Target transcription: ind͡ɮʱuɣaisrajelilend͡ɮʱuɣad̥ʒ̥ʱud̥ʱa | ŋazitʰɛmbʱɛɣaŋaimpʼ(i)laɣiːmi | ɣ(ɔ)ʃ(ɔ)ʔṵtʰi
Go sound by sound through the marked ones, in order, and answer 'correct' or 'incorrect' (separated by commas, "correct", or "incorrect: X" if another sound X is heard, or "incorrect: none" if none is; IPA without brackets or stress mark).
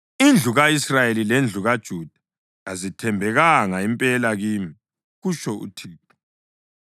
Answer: incorrect: ɛ, incorrect: u, correct